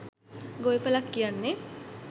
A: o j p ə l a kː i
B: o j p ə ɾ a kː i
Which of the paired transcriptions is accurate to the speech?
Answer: A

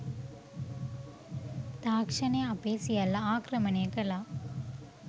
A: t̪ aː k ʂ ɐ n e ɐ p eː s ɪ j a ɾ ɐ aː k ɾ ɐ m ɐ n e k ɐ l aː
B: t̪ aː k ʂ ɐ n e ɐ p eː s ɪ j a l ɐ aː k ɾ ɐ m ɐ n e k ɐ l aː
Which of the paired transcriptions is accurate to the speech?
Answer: B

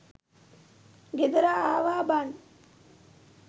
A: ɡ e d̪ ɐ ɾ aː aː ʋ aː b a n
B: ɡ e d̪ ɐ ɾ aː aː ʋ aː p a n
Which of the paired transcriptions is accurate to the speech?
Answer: A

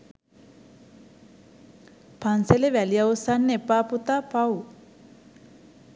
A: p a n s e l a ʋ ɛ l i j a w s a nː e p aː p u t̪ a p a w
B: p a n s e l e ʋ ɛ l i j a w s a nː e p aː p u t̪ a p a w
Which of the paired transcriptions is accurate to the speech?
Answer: B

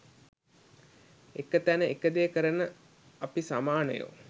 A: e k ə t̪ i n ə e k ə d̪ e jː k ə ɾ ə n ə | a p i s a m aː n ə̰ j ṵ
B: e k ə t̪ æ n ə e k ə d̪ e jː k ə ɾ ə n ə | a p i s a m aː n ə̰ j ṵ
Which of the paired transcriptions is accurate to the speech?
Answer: B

